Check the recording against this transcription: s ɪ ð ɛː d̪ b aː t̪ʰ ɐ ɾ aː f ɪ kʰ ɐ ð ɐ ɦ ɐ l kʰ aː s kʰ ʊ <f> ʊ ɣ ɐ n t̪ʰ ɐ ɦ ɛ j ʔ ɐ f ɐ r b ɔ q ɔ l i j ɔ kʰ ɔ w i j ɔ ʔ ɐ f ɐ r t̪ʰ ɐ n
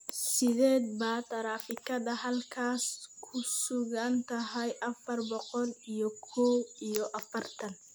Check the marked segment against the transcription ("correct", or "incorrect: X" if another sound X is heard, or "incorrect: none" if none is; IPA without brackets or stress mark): incorrect: s